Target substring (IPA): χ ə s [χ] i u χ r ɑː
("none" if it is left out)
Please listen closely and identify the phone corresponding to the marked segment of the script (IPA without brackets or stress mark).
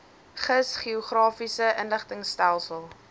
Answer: χ